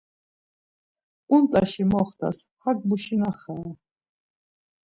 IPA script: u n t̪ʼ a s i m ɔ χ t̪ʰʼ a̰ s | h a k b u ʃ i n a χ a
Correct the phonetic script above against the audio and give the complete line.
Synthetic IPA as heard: u n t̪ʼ a ʃ i m ɔ χ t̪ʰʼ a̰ s | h a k b u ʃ i n a χ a